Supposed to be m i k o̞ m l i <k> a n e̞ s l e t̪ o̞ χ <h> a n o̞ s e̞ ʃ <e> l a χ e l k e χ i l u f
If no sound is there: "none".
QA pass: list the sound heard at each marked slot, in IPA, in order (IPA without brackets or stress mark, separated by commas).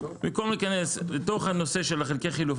k, h, e